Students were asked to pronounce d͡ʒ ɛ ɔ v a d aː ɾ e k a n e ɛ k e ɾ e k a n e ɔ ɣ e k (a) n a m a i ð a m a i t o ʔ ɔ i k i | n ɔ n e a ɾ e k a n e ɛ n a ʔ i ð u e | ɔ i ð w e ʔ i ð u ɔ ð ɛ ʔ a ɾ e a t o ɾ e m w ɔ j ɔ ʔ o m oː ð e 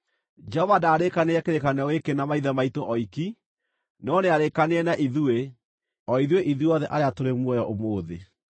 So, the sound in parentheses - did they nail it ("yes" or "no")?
no